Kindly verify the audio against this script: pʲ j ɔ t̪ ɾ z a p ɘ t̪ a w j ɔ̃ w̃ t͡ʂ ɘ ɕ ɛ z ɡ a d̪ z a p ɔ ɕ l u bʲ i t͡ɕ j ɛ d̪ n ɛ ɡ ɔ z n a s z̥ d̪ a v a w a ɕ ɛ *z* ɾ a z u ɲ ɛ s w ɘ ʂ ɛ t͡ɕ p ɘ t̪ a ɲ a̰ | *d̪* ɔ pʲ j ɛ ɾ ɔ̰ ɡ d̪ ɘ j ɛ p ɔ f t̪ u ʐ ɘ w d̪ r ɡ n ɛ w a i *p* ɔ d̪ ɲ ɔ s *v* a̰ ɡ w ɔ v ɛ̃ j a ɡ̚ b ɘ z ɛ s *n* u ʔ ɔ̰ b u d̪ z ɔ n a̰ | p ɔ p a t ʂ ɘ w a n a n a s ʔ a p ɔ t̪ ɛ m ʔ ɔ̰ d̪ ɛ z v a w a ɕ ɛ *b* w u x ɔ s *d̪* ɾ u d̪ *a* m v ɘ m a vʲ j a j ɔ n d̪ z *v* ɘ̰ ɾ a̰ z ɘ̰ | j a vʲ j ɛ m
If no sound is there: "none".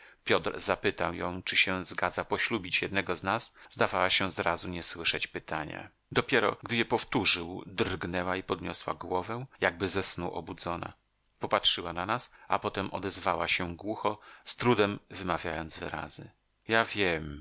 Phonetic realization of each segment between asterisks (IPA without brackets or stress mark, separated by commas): z, d̪, p, w, n, ɡ, t̪, ɛ, v